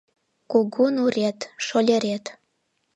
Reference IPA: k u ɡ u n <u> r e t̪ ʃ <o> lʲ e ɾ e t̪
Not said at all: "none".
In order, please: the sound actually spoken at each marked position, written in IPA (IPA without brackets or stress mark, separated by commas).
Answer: u, o